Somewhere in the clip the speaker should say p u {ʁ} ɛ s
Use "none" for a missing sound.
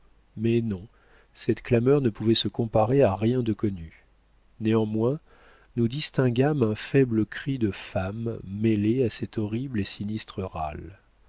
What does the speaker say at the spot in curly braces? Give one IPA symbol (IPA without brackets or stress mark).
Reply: v